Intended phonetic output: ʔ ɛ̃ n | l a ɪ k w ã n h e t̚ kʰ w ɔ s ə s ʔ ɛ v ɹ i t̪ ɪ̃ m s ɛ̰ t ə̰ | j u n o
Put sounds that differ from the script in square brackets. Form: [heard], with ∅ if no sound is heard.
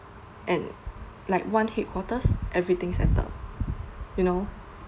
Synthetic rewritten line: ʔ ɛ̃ n | l a ɪ k w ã n h e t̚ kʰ w ɔ [t] ə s ʔ ɛ v ɹ i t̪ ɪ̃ [ŋ] s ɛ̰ t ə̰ | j u n o